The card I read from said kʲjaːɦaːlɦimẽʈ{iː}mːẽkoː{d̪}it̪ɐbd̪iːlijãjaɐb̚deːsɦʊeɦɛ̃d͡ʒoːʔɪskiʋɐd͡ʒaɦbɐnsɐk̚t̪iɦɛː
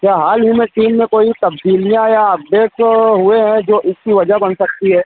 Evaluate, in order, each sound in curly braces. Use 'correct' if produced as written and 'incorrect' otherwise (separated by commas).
correct, incorrect